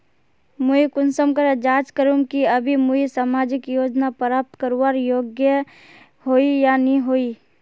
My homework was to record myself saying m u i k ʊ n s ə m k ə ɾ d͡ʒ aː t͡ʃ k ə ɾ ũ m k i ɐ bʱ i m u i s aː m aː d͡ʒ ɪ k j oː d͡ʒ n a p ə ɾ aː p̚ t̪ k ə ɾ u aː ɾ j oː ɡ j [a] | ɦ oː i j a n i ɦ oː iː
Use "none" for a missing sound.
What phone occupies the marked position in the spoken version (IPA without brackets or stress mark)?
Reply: ə